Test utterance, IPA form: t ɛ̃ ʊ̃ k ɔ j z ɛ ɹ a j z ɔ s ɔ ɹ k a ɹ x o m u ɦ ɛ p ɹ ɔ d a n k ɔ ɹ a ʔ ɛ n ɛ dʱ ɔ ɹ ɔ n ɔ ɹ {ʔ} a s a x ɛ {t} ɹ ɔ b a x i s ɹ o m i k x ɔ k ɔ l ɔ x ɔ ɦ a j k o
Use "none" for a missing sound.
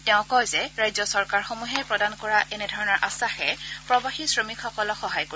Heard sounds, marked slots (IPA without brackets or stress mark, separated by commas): ʔ, p